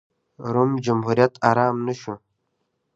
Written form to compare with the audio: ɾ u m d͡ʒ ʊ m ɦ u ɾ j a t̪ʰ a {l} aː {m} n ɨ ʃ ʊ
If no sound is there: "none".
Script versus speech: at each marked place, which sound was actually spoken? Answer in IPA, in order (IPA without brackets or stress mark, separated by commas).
ɾ, m